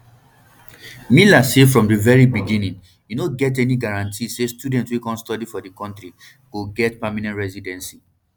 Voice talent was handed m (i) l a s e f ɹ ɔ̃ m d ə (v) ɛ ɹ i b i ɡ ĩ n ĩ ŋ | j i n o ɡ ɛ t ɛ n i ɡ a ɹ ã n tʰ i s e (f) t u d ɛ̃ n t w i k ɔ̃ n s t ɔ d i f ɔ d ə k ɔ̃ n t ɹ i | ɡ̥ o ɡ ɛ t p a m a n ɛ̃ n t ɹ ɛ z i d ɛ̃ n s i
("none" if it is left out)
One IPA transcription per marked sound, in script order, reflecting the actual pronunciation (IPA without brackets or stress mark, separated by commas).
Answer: i, v, s